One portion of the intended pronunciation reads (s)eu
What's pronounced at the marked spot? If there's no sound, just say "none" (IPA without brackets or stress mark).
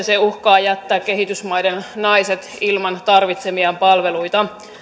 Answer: s